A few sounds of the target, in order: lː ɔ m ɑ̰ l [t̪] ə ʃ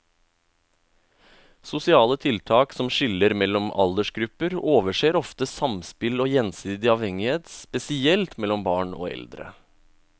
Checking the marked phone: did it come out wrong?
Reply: yes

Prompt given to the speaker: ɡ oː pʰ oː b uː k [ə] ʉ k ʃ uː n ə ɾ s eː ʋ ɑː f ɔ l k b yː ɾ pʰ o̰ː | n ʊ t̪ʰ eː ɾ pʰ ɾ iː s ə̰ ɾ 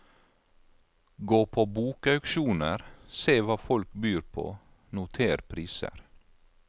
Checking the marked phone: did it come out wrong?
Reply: yes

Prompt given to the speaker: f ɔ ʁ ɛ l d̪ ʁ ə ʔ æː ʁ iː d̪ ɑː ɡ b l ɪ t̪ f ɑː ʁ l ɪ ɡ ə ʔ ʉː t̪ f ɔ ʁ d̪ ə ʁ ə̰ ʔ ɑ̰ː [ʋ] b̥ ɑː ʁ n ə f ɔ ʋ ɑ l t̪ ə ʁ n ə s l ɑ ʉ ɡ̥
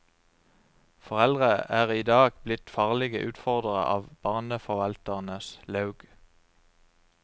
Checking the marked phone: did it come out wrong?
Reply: no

